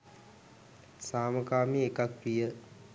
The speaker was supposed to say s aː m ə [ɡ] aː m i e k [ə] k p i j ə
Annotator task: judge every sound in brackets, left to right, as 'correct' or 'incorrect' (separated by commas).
incorrect, incorrect